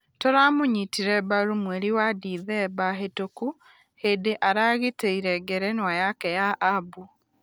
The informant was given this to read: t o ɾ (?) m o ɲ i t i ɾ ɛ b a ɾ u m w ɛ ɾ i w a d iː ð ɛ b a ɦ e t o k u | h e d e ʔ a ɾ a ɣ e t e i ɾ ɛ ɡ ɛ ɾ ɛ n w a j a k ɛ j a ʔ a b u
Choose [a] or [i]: a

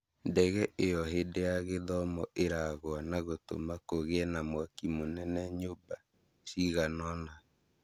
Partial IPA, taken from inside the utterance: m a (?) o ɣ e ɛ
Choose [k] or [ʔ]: k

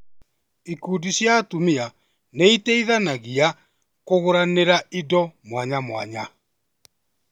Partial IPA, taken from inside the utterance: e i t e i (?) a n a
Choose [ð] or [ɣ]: ð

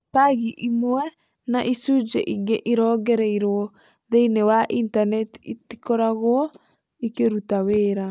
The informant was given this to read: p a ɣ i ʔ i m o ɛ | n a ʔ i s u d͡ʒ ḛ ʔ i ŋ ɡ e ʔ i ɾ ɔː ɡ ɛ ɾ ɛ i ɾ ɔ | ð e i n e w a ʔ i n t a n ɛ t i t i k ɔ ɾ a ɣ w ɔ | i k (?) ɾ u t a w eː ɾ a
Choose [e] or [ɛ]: e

